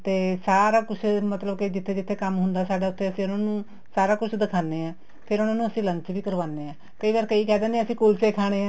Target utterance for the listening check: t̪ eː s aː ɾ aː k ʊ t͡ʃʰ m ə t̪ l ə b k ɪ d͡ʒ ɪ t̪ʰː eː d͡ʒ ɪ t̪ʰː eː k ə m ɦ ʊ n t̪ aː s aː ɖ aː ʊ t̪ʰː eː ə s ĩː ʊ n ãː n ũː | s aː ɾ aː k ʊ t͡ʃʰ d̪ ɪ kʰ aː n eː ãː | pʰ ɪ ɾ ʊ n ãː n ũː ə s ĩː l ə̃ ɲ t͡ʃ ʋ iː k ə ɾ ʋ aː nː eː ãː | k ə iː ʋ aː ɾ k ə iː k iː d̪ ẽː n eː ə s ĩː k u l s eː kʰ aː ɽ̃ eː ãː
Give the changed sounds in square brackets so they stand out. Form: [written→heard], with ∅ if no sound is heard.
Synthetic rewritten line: t̪ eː s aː ɾ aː k ʊ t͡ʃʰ m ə t̪ l ə b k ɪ d͡ʒ ɪ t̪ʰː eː d͡ʒ ɪ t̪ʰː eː k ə m ɦ ʊ n [t̪→d̪] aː s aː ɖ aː ʊ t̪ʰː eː ə s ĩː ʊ n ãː n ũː | s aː ɾ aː k ʊ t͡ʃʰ d̪ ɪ kʰ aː n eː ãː | pʰ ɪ ɾ ʊ n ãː n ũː ə s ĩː l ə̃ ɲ t͡ʃ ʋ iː k ə ɾ ʋ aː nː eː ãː | k ə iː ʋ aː ɾ k ə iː k [iː→ɛː] d̪ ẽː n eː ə s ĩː k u l s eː kʰ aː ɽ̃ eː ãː

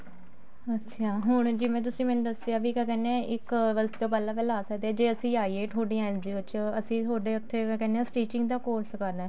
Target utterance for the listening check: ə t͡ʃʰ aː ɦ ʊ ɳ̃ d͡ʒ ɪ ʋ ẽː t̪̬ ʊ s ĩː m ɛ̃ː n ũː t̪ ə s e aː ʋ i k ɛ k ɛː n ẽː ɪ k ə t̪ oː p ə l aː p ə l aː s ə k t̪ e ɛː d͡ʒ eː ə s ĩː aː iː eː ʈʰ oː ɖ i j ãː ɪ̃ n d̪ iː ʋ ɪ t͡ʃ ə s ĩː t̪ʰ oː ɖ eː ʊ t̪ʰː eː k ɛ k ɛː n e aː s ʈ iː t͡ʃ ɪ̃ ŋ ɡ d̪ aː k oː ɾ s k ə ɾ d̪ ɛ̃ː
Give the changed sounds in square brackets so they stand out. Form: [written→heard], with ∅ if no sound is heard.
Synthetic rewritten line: ə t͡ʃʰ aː ɦ ʊ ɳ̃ d͡ʒ ɪ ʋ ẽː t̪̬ ʊ s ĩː m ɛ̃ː n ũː [t̪→d̪] ə s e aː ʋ i k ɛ k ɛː n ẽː ɪ k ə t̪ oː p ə l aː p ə l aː s ə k [t̪→d̪] e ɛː d͡ʒ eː ə s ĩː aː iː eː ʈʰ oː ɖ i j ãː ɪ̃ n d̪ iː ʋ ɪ t͡ʃ ə s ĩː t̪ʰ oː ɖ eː ʊ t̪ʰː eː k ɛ k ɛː n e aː s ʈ iː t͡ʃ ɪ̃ ŋ ɡ d̪ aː k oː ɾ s k ə ɾ d̪ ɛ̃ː

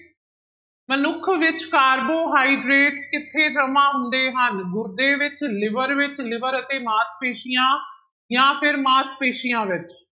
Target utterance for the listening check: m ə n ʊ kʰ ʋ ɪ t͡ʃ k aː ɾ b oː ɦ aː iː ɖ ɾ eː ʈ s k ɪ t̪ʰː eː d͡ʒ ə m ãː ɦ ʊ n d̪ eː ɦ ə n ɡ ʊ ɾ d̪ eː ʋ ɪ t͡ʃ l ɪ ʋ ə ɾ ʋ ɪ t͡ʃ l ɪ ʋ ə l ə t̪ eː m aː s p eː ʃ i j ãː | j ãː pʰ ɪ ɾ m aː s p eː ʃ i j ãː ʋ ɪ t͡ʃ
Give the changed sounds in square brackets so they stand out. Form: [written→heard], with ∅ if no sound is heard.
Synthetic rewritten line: m ə n ʊ kʰ ʋ ɪ t͡ʃ k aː ɾ b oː ɦ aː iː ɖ ɾ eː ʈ s k ɪ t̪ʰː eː d͡ʒ ə m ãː ɦ ʊ n d̪ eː ɦ ə n ɡ ʊ ɾ d̪ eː ʋ ɪ t͡ʃ l ɪ ʋ ə ɾ ʋ ɪ t͡ʃ l ɪ ʋ ə [l→ɾ] ə t̪ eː m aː s p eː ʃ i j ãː | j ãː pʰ ɪ ɾ m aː s p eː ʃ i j ãː ʋ ɪ t͡ʃ

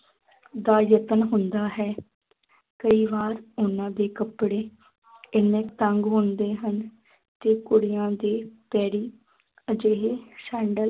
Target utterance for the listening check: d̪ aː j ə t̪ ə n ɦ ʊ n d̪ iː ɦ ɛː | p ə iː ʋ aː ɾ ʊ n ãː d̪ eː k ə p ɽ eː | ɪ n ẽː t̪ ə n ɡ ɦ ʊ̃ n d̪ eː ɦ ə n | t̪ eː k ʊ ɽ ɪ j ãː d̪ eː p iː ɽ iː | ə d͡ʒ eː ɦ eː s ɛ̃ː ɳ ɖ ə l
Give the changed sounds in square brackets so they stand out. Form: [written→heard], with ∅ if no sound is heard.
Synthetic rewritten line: d̪ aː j ə t̪ ə n ɦ ʊ n d̪ [iː→aː] ɦ ɛː | [p→k] ə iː ʋ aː ɾ ʊ n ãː d̪ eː k ə p ɽ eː | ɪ n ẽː t̪ ə [n→ŋ] ɡ ɦ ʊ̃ n d̪ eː ɦ ə n | t̪ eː k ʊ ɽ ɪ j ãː d̪ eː p [iː→ɛː] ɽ iː | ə d͡ʒ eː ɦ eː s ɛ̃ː ɳ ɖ ə l

